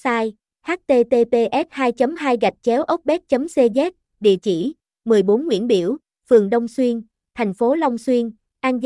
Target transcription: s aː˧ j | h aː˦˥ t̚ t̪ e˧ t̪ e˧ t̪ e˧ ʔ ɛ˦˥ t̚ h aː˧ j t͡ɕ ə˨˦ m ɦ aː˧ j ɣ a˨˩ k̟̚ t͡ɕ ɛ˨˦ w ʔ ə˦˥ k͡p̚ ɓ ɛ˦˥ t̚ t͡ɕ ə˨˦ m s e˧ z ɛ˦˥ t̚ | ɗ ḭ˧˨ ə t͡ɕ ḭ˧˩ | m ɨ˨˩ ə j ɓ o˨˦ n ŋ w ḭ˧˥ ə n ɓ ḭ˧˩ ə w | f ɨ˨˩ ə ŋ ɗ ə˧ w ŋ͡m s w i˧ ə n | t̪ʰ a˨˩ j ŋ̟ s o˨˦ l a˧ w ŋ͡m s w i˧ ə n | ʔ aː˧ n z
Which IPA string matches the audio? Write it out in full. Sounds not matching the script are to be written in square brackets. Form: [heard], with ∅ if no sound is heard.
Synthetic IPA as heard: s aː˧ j | h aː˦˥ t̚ t̪ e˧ t̪ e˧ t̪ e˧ ʔ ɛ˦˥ t̚ h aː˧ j t͡ɕ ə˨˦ m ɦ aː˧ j ɣ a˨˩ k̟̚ t͡ɕ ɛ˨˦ w ʔ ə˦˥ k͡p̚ ɓ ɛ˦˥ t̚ t͡ɕ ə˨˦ m s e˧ z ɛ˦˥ t̚ | ɗ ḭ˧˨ ə t͡ɕ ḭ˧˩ | m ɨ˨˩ ə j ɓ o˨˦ n ŋ w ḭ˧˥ ə n ɓ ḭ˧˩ ə w | f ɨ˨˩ ə ŋ ɗ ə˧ w ŋ͡m s w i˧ ə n | t̪ʰ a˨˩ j ŋ̟ [f] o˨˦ l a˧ w ŋ͡m s w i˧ ə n | ʔ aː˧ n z